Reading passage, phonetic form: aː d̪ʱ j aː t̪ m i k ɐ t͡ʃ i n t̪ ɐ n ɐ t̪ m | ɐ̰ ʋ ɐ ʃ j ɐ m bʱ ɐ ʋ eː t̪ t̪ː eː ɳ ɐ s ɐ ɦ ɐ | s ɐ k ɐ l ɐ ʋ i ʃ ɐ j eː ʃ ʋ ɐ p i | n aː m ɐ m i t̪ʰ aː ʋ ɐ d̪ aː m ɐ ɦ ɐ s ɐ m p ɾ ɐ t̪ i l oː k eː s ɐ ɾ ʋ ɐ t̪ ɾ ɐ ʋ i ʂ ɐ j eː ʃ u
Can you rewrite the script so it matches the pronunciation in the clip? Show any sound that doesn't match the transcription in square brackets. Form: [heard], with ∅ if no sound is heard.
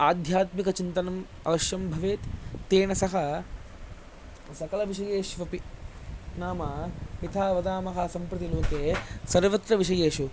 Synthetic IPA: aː d̪ʱ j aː t̪ m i k ɐ t͡ʃ i n t̪ ɐ n ɐ [∅] m | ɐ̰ ʋ ɐ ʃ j ɐ m bʱ ɐ ʋ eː t̪ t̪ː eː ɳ ɐ s ɐ ɦ ɐ | s ɐ k ɐ l ɐ ʋ i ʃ ɐ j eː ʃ ʋ ɐ p i | n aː m ɐ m i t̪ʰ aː ʋ ɐ d̪ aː m ɐ ɦ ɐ s ɐ m p ɾ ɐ t̪ i l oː k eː s ɐ ɾ ʋ ɐ t̪ ɾ ɐ ʋ i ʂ ɐ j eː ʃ u